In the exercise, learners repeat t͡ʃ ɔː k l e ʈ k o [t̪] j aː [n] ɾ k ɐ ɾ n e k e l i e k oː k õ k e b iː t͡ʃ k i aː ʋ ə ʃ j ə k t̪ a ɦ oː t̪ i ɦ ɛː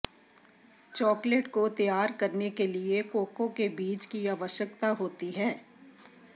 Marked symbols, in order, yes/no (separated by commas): yes, no